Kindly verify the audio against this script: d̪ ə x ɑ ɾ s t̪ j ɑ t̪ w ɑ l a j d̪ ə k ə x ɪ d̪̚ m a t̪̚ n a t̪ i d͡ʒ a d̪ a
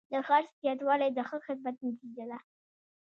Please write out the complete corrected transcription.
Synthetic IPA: d̪ ə x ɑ ɾ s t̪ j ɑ t̪ w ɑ l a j d̪ ə x ə x ɪ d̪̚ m a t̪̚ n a t̪ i d͡ʒ a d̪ a